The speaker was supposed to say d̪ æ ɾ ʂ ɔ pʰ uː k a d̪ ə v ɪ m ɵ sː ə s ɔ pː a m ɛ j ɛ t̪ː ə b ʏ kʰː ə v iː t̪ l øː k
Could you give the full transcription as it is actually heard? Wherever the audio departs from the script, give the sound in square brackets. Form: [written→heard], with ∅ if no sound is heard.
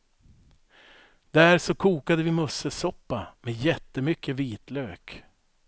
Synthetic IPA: d̪ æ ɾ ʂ ɔ [pʰ→kʰ] uː k a d̪ ə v ɪ m ɵ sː ə s ɔ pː a m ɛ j ɛ t̪ː ə [b→m] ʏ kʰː ə v iː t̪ l øː k